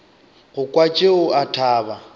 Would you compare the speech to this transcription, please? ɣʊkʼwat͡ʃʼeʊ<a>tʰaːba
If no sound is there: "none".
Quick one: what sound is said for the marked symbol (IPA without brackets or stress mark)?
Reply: a